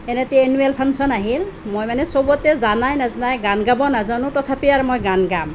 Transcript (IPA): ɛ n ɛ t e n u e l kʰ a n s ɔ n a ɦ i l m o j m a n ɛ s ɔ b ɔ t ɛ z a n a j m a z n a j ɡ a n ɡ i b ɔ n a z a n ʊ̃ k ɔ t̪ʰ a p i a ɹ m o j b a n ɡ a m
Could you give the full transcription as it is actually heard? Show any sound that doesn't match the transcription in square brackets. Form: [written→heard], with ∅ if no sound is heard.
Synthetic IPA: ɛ n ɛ t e n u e l [kʰ→pʰ] a n s ɔ n a ɦ i l m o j m a n ɛ s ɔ b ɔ t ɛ z a n a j [m→n] a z n a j ɡ a n ɡ [i→a] b ɔ n a z a n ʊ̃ [k→t] ɔ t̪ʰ a p i a ɹ m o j [b→ɡ] a n ɡ a m